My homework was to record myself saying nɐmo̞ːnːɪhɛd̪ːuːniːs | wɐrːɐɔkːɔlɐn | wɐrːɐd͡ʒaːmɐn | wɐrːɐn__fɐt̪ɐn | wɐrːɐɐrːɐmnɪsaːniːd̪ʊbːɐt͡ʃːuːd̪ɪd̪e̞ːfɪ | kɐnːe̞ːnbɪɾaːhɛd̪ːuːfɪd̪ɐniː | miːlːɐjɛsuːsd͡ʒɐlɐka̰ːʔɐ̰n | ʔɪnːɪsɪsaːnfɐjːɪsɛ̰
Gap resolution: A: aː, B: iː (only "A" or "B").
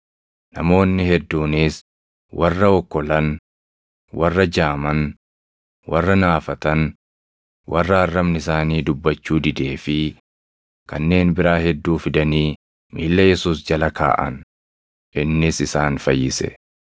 A